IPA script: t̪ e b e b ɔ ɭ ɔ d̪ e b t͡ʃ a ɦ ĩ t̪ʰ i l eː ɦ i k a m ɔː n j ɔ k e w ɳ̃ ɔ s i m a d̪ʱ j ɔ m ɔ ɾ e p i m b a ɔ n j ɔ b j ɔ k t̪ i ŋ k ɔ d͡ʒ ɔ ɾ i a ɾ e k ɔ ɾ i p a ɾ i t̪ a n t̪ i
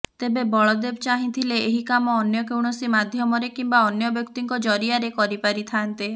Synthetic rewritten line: t̪ e b e b ɔ ɭ ɔ d̪ e b t͡ʃ a ɦ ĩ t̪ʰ i l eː ɦ i k a m ɔː n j ɔ k e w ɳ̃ ɔ s i m a d̪ʱ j ɔ m ɔ ɾ e k i m b a ɔ n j ɔ b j ɔ k t̪ i ŋ k ɔ d͡ʒ ɔ ɾ i a ɾ e k ɔ ɾ i p a ɾ i t̪ʰ a n t̪ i